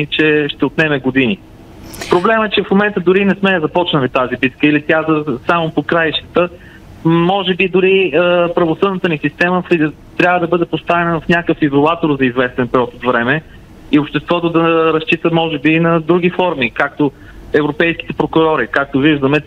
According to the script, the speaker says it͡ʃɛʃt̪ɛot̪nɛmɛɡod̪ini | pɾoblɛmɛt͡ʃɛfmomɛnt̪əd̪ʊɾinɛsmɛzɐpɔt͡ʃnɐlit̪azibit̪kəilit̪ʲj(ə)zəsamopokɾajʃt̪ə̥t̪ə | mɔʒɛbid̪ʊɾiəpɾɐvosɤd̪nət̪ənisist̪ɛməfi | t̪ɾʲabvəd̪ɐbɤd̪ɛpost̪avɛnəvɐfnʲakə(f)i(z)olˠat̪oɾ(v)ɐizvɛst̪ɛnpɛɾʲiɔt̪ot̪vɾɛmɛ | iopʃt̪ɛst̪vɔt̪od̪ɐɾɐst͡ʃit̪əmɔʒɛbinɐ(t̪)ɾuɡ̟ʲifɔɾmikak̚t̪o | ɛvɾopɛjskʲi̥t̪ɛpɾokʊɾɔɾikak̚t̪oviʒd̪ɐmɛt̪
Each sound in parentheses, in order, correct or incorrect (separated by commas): incorrect, correct, correct, incorrect, incorrect